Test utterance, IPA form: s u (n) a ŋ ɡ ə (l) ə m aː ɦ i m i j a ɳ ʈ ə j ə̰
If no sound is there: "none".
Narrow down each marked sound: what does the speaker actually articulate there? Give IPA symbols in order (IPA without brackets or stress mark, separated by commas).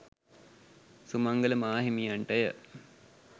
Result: m, l